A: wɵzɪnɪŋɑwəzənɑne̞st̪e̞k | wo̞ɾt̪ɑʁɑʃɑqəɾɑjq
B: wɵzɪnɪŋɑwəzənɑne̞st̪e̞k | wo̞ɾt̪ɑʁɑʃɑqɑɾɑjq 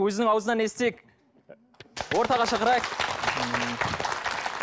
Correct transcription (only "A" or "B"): A